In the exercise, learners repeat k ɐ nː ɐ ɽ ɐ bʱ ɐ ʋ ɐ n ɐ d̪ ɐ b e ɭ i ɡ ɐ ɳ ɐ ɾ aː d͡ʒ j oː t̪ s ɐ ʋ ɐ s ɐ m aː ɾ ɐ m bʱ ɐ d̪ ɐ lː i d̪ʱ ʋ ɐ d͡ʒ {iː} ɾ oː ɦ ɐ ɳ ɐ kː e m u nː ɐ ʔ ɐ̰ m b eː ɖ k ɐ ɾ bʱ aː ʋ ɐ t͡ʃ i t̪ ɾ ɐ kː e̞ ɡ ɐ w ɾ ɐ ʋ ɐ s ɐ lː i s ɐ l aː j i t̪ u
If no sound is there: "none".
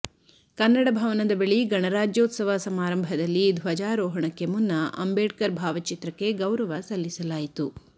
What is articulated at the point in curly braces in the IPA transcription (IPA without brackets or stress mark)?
aː